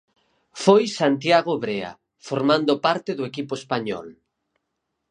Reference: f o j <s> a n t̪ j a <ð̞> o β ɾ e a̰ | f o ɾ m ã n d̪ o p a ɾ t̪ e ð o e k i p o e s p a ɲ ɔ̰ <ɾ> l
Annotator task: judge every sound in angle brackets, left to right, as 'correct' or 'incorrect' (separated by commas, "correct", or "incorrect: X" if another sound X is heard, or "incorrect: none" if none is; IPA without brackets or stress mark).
correct, incorrect: ɣ̞, incorrect: none